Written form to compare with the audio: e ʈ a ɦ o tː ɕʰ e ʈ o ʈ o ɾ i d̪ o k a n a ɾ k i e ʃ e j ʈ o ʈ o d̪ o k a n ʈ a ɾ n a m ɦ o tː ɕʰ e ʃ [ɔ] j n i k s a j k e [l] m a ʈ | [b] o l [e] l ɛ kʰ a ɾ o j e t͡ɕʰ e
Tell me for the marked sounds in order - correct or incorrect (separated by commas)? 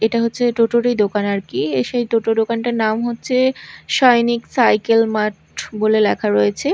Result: correct, correct, correct, correct